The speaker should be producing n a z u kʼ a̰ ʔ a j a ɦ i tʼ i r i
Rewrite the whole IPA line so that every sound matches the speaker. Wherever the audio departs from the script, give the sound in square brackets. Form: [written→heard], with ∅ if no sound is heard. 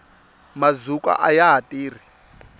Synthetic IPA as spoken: [n→m] a z u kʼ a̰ ʔ a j a ɦ [i→a] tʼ [i→iː] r i